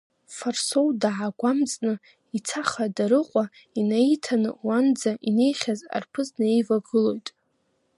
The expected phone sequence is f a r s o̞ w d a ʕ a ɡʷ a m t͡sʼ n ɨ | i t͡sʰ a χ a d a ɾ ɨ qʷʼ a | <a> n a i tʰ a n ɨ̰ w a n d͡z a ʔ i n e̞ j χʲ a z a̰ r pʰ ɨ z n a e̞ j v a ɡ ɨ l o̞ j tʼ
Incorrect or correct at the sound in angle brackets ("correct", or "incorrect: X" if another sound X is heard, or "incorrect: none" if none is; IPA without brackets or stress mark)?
incorrect: i